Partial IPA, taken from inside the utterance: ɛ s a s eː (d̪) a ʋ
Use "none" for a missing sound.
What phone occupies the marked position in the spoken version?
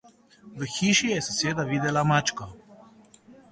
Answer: d̪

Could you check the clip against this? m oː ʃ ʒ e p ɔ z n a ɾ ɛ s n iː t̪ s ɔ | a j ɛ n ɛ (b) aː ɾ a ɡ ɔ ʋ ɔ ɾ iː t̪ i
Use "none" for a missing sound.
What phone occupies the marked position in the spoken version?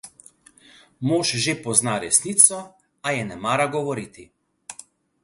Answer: m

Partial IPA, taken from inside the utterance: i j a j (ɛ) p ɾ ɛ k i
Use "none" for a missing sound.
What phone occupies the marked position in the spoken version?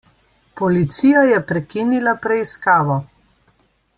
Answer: ɛ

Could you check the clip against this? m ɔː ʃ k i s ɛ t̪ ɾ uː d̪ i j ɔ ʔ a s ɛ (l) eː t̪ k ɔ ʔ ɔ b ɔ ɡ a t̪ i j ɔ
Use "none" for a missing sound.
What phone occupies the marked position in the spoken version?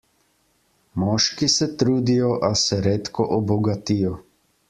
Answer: ɾ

